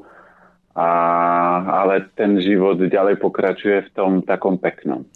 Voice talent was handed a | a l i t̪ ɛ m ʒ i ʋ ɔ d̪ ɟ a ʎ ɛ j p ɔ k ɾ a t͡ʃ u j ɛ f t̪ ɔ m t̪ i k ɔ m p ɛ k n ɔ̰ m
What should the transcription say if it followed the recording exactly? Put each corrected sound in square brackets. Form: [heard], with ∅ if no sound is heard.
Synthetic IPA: a | a l [ɛ] t̪ ɛ [n] ʒ i ʋ ɔ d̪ ɟ a [l] ɛ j p ɔ k ɾ a t͡ʃ u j ɛ f t̪ ɔ m t̪ [a] k ɔ m p ɛ k n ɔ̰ m